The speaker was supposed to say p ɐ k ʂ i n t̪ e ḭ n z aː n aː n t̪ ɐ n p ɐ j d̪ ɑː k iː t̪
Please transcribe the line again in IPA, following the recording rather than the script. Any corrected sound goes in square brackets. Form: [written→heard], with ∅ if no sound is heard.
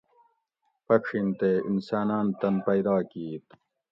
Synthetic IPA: p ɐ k ʂ i n t̪ e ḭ n [z→s] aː n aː n t̪ ɐ n p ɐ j d̪ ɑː k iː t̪